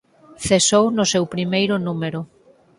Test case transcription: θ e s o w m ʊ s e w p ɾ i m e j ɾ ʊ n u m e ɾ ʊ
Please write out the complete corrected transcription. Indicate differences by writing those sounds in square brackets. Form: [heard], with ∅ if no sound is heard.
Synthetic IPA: θ e s o w [n] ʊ s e w p ɾ i m e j ɾ ʊ n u m e ɾ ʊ